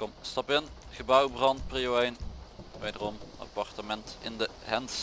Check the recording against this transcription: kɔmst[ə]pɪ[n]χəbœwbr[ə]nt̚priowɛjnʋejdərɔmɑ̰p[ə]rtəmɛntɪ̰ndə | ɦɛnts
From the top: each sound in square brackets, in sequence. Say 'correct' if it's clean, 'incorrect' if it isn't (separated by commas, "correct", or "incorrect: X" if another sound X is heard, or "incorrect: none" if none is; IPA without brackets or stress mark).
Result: incorrect: ɑ, correct, incorrect: ɑ, incorrect: ɑ